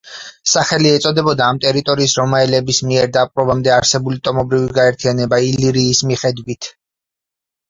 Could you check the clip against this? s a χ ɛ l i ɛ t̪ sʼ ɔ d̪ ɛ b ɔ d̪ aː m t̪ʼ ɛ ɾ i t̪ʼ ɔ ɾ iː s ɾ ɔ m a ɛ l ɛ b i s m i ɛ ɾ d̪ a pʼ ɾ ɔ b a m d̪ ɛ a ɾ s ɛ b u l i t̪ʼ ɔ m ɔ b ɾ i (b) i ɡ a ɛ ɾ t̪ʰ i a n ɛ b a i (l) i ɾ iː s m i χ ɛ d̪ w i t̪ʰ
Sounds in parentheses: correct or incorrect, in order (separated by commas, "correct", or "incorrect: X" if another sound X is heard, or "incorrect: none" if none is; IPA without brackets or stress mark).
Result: incorrect: v, correct